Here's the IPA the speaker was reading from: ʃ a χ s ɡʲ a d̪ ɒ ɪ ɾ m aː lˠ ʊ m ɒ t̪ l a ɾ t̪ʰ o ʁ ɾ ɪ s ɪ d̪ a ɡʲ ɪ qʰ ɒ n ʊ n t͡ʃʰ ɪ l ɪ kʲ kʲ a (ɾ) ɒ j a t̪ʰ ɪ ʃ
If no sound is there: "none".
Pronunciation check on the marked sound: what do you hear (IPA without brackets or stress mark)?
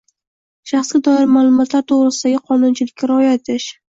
ɾ